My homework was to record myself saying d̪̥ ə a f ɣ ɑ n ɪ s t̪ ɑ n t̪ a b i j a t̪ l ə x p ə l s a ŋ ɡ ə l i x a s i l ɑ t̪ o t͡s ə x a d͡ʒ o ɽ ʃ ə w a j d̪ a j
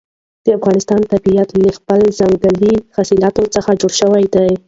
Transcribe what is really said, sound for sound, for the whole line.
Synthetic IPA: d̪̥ ə a f ɣ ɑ n ɪ s t̪ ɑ n t̪ a b i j a t̪ l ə x p ə l z a ŋ ɡ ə l i x a s i l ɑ t̪ o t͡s ə x a d͡ʒ o ɽ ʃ ə w a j d̪ a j